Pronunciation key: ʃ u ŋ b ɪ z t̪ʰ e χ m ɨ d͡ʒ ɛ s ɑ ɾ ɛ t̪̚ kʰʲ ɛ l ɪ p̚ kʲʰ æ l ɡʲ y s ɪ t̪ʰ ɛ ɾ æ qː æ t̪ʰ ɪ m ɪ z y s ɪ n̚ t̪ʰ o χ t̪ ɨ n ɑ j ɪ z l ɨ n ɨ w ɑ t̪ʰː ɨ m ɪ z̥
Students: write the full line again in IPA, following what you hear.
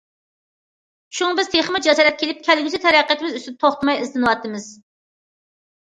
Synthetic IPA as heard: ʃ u ŋ b ɪ z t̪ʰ e χ m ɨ d͡ʒ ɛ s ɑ ɾ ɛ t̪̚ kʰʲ e l ɪ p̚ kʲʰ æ l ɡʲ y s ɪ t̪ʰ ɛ ɾ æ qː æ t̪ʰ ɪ m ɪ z y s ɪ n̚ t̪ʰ o χ t̪ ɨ m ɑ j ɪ z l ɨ n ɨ w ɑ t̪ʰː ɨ m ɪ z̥